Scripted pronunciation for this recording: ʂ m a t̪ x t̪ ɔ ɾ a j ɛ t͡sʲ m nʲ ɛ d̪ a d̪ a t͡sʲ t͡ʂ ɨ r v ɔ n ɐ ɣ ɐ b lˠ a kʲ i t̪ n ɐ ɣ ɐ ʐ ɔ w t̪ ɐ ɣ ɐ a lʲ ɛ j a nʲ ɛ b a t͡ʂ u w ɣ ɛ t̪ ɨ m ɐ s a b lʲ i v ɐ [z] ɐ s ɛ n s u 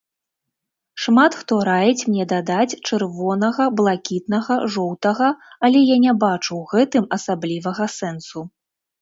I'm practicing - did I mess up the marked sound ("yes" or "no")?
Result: yes